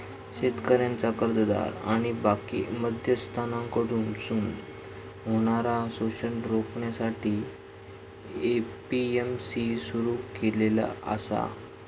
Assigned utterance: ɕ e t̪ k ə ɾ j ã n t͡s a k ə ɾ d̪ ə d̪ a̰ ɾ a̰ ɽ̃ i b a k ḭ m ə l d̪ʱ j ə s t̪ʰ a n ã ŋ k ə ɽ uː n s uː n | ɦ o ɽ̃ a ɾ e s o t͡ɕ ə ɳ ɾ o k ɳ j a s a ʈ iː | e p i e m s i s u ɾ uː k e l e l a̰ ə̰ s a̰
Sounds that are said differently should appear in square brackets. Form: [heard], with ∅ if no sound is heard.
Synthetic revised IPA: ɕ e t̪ k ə ɾ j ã n t͡s a k ə ɾ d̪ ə d̪ a̰ ɾ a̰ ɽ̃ i b a k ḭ m ə [∅] d̪ʱ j ə s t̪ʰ a n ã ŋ k ə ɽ uː n s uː n | ɦ o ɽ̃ a ɾ [a] s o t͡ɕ ə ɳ ɾ o k ɳ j a s a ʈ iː | e p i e m s i s u ɾ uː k e l e l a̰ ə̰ s a̰